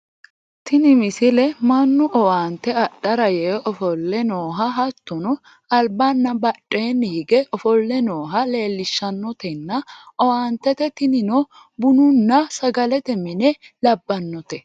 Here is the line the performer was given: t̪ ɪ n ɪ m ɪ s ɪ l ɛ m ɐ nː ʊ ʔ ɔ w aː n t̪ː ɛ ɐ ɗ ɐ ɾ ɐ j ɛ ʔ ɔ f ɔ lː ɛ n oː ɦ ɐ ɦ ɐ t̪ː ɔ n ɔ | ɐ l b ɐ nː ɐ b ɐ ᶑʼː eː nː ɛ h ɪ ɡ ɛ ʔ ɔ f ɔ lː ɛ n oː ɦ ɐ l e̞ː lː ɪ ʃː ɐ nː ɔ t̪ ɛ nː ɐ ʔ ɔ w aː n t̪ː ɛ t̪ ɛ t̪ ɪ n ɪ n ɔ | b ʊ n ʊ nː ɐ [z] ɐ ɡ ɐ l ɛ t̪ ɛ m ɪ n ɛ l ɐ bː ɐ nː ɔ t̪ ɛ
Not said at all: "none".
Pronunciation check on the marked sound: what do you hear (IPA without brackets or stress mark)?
s